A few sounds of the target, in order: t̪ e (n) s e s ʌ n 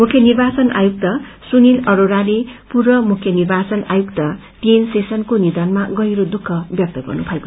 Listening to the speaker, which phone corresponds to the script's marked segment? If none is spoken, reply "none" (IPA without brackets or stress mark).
n